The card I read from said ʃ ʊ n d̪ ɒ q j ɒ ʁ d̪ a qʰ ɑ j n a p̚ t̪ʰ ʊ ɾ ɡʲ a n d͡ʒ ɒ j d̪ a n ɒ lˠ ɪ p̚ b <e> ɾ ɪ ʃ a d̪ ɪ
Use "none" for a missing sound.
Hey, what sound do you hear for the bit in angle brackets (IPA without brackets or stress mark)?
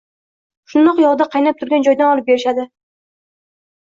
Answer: e